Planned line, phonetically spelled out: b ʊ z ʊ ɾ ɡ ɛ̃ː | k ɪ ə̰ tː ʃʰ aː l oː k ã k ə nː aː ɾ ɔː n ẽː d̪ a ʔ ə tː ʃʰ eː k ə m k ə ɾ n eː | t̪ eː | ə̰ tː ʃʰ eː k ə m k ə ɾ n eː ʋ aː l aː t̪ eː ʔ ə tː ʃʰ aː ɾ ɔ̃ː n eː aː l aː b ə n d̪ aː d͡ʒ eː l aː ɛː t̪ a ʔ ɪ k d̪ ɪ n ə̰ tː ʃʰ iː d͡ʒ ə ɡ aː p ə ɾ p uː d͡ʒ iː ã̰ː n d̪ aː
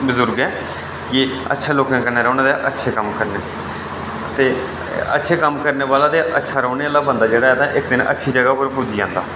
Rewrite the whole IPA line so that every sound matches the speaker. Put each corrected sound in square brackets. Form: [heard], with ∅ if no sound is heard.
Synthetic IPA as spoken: b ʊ z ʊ ɾ ɡ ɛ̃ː | k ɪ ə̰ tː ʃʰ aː l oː k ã k ə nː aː ɾ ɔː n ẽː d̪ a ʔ ə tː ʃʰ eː k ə m k ə ɾ n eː | t̪ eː | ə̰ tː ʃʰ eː k ə m k ə ɾ n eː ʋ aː l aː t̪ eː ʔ ə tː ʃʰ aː ɾ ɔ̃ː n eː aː l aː b ə n d̪ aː d͡ʒ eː [ɽ] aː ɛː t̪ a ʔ ɪ k d̪ ɪ n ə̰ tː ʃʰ iː d͡ʒ ə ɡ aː p ə ɾ p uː d͡ʒ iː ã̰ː n d̪ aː